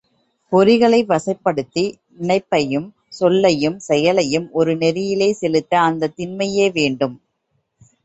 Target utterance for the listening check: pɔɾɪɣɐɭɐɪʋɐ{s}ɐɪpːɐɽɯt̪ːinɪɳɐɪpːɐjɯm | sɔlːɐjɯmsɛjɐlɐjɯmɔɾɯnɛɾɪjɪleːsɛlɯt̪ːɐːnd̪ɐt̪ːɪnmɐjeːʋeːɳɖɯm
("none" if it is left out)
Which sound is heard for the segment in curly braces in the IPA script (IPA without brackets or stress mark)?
s